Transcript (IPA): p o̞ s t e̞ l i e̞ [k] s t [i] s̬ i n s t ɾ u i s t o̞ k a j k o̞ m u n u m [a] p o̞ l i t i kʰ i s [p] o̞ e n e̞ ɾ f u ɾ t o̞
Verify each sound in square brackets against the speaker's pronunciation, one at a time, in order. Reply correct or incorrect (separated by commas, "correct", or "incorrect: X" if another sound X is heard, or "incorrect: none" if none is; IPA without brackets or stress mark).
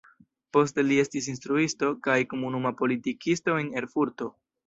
incorrect: none, correct, correct, incorrect: t